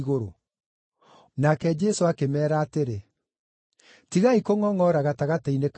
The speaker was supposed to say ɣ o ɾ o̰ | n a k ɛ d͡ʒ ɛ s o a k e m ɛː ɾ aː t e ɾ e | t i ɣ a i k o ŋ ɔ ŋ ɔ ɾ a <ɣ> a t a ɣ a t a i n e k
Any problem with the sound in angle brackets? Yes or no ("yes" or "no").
no